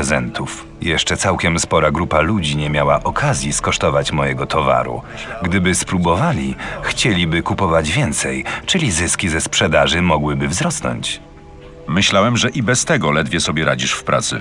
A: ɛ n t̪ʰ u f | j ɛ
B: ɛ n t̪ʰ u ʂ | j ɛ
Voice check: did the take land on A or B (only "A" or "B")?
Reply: A